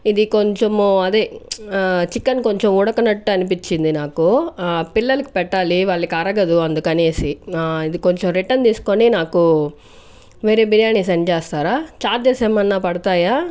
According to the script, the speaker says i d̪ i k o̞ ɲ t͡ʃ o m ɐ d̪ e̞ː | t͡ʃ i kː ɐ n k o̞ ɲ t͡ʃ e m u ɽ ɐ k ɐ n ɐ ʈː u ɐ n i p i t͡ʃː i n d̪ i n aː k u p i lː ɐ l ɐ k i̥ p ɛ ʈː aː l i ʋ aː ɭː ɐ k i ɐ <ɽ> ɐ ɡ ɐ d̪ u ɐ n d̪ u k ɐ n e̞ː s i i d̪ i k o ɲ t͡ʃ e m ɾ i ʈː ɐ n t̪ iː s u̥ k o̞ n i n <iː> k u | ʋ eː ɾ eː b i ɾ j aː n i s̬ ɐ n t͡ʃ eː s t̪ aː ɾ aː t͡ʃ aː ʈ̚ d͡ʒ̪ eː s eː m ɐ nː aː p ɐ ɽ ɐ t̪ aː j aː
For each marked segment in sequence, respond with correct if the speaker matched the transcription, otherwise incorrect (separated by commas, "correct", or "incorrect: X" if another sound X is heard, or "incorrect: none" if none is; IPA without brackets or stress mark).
incorrect: ɾ, incorrect: aː